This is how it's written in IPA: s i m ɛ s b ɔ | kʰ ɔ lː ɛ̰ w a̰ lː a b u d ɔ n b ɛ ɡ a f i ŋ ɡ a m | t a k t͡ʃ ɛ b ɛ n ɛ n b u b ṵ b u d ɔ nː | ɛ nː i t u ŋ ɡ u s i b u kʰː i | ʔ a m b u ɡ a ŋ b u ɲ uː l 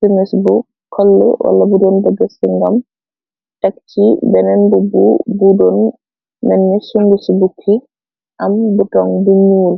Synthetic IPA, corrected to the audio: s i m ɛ s b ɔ | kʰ ɔ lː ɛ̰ w a̰ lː a b u d ɔ n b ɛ ɡ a s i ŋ ɡ a m | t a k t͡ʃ i b ɛ n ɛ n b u b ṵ b u d ɔ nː | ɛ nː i s u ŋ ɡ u s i b u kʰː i | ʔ a m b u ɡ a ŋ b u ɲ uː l